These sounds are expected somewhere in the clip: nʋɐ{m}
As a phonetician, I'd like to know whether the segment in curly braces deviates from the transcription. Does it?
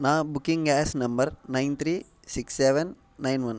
yes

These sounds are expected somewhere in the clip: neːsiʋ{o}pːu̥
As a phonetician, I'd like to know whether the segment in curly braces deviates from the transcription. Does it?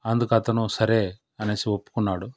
no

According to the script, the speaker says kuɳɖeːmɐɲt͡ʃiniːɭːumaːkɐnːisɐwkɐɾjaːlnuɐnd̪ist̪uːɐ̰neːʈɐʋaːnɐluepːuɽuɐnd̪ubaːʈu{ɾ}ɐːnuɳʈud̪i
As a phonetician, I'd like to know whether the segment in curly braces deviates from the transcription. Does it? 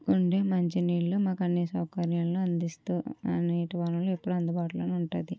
yes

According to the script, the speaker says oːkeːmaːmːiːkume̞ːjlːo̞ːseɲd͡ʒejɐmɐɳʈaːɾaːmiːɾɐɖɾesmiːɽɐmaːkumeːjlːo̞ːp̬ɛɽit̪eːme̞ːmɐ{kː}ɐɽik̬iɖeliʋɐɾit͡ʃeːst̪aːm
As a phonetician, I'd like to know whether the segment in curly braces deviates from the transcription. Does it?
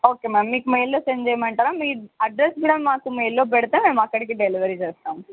no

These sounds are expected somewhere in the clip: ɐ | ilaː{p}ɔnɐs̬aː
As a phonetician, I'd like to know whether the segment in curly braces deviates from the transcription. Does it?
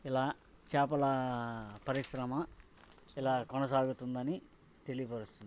yes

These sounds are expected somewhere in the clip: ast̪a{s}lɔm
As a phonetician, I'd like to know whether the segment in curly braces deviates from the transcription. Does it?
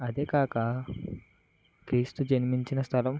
yes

